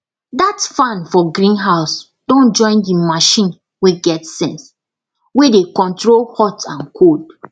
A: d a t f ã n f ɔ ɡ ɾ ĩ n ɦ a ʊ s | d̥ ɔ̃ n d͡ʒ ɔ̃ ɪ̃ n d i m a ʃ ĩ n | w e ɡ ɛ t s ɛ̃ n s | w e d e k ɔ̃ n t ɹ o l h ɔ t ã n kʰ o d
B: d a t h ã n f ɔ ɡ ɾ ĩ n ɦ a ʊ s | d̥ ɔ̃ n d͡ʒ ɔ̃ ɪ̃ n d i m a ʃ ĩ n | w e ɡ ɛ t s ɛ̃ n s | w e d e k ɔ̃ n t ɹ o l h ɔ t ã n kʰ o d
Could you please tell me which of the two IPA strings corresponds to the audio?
A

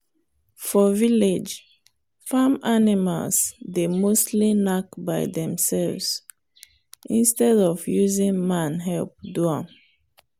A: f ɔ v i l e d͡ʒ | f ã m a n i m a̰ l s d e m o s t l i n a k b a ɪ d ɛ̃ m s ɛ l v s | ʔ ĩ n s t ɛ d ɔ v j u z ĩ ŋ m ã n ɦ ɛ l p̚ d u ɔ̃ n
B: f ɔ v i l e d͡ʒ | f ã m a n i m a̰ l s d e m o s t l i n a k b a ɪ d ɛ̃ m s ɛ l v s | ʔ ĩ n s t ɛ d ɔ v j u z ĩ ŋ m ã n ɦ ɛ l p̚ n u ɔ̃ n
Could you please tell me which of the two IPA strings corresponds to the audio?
A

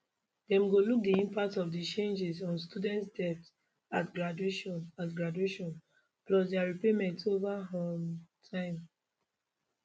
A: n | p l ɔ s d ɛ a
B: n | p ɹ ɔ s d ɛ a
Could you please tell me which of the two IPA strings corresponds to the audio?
A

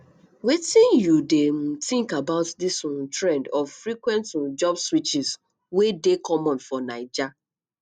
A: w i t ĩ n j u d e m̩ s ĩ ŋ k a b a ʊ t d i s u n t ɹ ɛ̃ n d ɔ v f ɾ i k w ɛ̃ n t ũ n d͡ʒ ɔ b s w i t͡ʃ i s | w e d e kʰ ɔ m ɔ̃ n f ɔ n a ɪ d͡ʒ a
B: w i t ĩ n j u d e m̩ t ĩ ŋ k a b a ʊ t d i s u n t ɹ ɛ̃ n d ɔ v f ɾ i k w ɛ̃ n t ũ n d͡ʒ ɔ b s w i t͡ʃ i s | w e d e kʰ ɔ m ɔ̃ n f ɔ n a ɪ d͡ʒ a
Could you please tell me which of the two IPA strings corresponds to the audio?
B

